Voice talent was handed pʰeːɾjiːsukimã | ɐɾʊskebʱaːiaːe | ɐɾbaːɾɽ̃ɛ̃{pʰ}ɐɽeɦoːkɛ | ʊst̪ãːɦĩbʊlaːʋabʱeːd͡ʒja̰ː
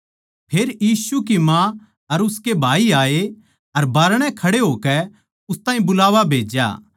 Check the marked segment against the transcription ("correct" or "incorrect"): incorrect